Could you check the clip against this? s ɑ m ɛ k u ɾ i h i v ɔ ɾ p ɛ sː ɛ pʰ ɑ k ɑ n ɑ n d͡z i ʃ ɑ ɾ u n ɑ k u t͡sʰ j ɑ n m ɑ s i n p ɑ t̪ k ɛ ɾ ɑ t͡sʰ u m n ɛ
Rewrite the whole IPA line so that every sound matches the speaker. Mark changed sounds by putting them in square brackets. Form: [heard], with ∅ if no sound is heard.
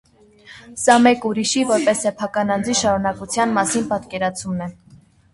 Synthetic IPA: s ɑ m ɛ k u ɾ i [ʃ] i v ɔ ɾ p ɛ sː ɛ pʰ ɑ k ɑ n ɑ n d͡z i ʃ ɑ ɾ u n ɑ k u t͡sʰ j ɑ n m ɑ s i n p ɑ t̪ k ɛ ɾ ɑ t͡sʰ u m n ɛ

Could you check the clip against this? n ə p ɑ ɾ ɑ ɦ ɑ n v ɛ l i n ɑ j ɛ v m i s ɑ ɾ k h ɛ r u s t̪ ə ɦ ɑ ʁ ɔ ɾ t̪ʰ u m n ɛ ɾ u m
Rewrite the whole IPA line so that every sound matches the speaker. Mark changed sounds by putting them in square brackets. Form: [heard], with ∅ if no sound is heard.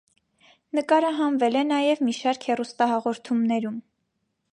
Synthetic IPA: n ə [k] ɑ ɾ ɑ ɦ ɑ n v ɛ l [ɛ] n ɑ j ɛ v m i [ʃ] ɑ ɾ k h ɛ r u s t̪ [ɑ] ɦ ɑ ʁ ɔ ɾ t̪ʰ u m n ɛ ɾ u m

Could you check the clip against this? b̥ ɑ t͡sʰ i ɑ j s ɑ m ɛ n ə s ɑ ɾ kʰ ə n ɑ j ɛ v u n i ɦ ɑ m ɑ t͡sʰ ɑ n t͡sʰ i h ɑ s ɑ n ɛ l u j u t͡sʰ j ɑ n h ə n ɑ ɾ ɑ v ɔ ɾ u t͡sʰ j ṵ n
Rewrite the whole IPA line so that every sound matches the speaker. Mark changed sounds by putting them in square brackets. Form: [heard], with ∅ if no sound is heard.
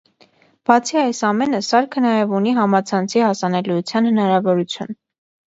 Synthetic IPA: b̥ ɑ t͡sʰ i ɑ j s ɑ m ɛ n ə s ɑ ɾ kʰ ə n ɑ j ɛ v u n i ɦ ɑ m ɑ t͡sʰ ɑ n t͡sʰ i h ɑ s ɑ n ɛ l u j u t͡sʰ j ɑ n h ə n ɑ ɾ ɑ v ɔ ɾ u t͡sʰ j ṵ n

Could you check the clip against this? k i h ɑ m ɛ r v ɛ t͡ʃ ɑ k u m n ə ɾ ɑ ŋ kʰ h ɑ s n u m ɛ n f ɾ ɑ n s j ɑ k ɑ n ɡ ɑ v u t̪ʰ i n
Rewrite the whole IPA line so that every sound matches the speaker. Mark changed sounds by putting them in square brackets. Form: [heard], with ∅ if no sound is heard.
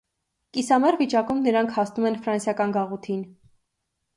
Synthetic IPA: k i [s] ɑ m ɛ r v [i] t͡ʃ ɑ k u m n ə ɾ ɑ ŋ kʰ h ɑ s n u m ɛ n f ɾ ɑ n s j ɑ k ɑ n ɡ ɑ [ʁ] u t̪ʰ i n

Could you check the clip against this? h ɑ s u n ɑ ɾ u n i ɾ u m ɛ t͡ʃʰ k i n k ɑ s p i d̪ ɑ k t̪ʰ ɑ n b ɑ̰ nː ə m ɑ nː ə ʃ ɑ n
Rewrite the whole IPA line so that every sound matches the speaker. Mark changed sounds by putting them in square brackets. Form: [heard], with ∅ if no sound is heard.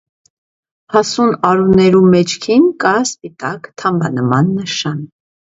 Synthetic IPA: h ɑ s u n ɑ ɾ u n [ɛ] ɾ u m ɛ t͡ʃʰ [kʰ] i n k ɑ s p i [t̪] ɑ k t̪ʰ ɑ [m] b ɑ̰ [n] ə m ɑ nː ə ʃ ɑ n

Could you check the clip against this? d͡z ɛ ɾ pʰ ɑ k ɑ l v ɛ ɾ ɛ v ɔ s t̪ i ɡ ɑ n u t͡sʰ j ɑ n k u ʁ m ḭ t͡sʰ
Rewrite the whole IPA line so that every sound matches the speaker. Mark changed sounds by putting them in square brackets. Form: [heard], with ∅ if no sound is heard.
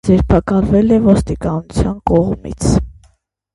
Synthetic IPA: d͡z ɛ ɾ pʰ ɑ k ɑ l v ɛ [l] ɛ v ɔ s t̪ i [k] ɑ n u t͡sʰ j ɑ n k [ɔ] ʁ m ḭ t͡sʰ

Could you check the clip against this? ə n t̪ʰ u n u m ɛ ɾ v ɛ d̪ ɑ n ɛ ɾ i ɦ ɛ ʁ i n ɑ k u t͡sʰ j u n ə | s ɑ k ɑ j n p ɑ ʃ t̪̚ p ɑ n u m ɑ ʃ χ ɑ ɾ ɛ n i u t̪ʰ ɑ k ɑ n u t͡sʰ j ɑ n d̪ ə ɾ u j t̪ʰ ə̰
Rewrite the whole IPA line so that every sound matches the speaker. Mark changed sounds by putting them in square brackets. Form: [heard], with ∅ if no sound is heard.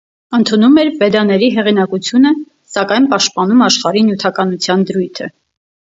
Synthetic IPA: ə n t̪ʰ u n u m ɛ ɾ v ɛ d̪ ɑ n ɛ ɾ i ɦ ɛ ʁ i n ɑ k u t͡sʰ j u n ə | s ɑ k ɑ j n p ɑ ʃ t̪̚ p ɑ n u m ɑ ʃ χ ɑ ɾ [i] n [j] u t̪ʰ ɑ k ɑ n u t͡sʰ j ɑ n d̪ ə ɾ u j t̪ʰ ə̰

